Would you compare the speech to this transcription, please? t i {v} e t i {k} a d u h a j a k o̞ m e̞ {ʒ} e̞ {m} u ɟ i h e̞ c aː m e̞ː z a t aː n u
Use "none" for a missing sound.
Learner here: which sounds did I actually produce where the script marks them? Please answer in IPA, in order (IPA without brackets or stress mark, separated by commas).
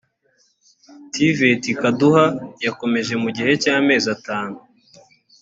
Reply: v, k, ʒ, m